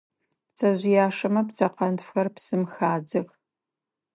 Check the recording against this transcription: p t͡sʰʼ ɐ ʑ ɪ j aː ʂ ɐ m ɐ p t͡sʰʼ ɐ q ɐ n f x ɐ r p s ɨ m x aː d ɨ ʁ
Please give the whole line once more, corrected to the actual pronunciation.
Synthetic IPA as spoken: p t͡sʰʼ ɐ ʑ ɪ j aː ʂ ɐ m ɐ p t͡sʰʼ ɐ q ɐ n f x ɐ r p s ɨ m x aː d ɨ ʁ